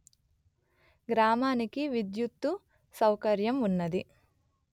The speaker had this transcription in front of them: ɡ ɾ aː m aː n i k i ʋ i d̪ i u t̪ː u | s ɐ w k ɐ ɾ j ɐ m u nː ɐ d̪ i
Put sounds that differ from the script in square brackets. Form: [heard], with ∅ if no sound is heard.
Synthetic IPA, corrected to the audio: ɡ ɾ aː m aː n i k i ʋ i d̪ [j] u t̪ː u | s ɐ w k ɐ ɾ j ɐ m u nː ɐ d̪ i